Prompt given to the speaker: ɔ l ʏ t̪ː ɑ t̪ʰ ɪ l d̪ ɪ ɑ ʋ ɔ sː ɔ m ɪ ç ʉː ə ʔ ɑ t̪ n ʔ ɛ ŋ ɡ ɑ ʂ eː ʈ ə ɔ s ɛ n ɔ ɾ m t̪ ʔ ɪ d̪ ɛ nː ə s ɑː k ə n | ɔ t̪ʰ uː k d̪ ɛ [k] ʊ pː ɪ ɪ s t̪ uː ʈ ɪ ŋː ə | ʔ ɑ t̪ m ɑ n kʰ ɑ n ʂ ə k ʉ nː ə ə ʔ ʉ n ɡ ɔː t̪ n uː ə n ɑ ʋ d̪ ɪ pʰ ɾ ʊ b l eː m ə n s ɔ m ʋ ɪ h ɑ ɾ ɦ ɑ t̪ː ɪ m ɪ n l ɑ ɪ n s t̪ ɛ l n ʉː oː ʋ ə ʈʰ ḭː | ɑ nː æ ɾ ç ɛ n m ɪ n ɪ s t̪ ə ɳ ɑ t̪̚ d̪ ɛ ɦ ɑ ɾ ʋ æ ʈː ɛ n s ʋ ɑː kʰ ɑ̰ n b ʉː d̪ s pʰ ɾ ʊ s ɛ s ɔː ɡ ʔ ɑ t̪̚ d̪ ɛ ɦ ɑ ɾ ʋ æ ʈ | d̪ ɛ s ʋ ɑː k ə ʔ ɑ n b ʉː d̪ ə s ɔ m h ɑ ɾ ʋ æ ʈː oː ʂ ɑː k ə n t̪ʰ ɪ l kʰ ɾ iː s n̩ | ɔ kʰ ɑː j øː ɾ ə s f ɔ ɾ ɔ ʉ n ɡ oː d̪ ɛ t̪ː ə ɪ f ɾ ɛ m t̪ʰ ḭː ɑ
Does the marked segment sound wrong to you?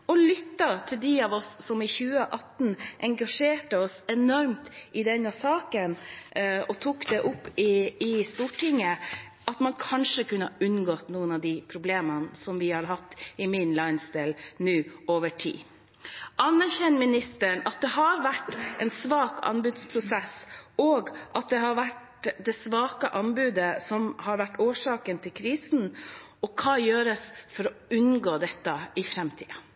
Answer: yes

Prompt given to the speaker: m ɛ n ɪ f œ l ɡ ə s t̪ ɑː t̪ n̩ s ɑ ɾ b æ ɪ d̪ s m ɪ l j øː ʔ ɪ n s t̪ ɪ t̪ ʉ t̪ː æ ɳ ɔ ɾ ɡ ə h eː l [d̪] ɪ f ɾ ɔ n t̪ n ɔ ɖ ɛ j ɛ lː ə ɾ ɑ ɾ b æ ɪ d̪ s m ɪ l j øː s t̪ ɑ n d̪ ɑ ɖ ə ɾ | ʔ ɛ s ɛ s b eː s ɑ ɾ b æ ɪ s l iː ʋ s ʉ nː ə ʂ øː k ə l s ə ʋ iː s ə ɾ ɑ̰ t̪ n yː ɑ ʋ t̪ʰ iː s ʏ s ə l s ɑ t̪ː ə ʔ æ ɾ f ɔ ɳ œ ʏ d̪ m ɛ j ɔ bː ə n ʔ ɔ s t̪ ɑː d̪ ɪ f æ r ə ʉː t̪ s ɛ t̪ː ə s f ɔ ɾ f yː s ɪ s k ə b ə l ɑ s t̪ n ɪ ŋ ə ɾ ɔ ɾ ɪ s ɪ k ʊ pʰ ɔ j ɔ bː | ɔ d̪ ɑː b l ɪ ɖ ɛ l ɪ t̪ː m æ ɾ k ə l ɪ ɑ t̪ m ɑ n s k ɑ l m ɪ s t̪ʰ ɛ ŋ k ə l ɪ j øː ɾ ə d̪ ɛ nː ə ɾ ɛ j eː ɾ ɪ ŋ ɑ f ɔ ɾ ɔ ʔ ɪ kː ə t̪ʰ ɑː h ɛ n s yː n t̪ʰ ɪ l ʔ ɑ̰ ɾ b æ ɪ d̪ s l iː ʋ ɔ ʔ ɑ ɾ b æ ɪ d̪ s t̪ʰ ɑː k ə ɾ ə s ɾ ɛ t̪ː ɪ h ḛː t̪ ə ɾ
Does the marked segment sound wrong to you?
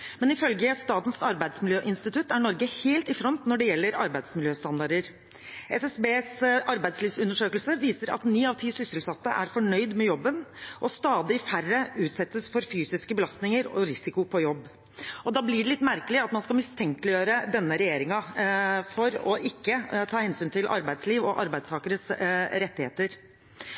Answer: yes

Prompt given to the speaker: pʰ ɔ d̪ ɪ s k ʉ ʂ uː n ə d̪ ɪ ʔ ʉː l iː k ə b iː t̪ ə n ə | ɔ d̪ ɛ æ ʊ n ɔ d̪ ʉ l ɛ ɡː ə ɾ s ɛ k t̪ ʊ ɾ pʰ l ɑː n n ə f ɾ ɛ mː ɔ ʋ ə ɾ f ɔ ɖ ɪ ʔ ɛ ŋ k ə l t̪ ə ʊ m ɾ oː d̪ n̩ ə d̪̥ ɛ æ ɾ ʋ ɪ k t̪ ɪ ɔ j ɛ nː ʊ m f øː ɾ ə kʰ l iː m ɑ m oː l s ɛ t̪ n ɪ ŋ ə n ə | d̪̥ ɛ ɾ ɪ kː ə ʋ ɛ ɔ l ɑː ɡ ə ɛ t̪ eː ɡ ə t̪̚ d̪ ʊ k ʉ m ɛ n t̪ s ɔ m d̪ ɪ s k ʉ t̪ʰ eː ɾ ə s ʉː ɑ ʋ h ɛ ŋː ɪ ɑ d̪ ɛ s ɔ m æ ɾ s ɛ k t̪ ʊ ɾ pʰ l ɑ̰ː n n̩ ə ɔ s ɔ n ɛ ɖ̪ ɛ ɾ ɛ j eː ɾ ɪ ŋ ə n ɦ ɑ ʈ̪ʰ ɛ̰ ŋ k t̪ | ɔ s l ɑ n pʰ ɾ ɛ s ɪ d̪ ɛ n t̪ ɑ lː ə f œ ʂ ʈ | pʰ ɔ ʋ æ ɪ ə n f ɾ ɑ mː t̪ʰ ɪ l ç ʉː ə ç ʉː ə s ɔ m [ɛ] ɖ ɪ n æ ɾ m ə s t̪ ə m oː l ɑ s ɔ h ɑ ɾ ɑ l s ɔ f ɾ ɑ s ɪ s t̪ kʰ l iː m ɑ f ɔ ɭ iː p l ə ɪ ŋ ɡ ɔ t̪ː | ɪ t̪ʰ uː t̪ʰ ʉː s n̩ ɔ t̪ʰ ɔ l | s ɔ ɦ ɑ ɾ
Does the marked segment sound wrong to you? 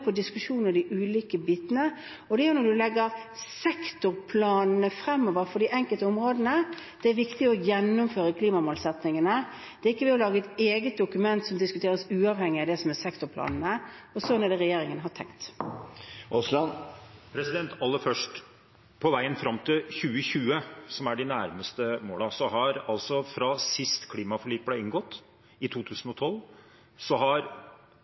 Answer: yes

